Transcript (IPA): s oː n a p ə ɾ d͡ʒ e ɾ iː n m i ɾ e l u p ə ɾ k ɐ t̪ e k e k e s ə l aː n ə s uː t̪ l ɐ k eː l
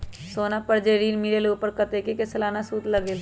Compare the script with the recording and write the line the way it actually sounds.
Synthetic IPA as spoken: s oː n a p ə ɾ d͡ʒ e ɾ iː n m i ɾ e l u p ə ɾ k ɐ t̪ e k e k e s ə l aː n a s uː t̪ l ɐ ɡ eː l

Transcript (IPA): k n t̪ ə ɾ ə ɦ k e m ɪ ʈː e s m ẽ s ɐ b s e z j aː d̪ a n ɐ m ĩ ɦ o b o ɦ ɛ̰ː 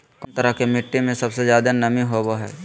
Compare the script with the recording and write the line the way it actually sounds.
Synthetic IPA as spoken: k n t̪ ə ɾ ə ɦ k e m ɪ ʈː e m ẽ s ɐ b s e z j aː d̪ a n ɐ m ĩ ɦ o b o ɦ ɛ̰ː

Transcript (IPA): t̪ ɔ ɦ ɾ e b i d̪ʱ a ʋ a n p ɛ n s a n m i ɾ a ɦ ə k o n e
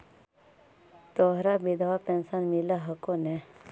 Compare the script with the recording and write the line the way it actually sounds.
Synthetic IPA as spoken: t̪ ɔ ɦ ɾ a b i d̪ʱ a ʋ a p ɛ n s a n m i l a ɦ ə k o n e

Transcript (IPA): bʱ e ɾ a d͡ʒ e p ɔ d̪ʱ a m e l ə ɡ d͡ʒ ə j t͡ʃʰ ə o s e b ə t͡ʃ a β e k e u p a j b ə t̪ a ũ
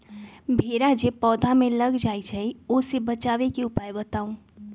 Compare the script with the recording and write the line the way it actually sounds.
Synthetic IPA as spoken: bʱ e ɾ a d͡ʒ e p ɔ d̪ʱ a m e l ə ɡ d͡ʒ a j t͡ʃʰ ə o s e b ə t͡ʃ a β e k e u p a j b ə t̪ a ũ

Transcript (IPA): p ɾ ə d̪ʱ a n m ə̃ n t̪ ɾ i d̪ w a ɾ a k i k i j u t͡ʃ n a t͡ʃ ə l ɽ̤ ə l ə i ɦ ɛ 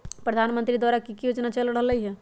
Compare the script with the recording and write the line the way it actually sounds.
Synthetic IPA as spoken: p ɾ ə d̪ʱ a n m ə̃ n t̪ ɾ i d̪ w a ɾ a k i k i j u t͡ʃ n a t͡ʃ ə l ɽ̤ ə l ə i ɦ ɛ

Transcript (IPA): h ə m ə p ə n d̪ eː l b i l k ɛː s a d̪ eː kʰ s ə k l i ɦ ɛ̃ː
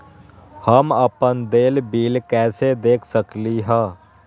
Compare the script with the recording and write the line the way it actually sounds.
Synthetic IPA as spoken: h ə m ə p ə n d̪ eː l b iː l k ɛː s e d̪ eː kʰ s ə k l i ɦ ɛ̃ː

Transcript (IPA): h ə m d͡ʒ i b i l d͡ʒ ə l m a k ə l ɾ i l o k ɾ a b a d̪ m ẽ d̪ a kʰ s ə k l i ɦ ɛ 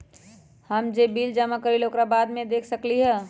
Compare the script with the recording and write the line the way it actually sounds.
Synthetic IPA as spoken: h ə m d͡ʒ e b i l d͡ʒ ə m a k ə ɾ i l o k ɾ a b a d̪ m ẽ d̪ e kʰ s ə k l i ɦ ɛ

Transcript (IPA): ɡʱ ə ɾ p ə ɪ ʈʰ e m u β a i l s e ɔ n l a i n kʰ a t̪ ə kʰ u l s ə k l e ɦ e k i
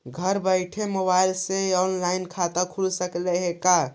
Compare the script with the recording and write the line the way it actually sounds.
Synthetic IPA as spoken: ɡʱ ə ɾ b ə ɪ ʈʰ e m o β a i l s e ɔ n l a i n kʰ a t̪ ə kʰ u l s ə k l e ɦ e k a

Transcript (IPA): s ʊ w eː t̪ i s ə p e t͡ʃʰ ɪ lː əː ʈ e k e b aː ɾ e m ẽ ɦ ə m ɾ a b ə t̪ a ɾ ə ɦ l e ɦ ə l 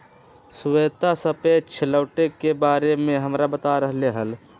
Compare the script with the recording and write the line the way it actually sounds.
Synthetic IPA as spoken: s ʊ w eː t̪ a s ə p e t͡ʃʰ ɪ l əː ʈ e k e b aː ɾ e m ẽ ɦ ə m ɾ a b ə t̪ a ɾ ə ɦ l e ɦ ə l

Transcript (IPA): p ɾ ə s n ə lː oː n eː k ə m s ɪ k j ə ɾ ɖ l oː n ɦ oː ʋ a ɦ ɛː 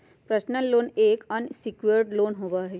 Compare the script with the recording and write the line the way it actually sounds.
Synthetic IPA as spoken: p ɾ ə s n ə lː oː n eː k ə n s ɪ k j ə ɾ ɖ l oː n ɦ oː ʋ a ɦ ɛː

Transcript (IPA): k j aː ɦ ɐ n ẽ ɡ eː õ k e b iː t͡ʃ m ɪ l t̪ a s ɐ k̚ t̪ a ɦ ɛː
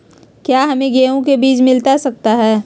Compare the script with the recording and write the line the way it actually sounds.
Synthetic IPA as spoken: k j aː ɦ ɐ m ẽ ɡ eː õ k e b iː t͡ʃ m ɪ l t̪ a s ɐ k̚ t̪ a ɦ ɛː

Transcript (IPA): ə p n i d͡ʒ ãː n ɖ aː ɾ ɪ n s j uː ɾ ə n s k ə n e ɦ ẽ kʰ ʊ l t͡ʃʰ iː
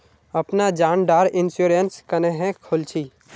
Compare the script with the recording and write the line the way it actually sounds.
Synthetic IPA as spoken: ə p n a d͡ʒ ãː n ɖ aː ɾ ɪ n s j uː ɾ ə n s k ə n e ɦ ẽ kʰ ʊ l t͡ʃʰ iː

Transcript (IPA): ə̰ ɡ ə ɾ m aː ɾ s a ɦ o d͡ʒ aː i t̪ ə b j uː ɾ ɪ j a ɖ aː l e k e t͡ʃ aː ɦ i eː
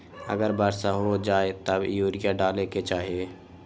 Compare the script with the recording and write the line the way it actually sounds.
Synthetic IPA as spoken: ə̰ ɡ ə ɾ b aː ɾ s a ɦ o d͡ʒ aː e t̪ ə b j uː ɾ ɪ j a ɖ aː l e k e t͡ʃ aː ɦ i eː

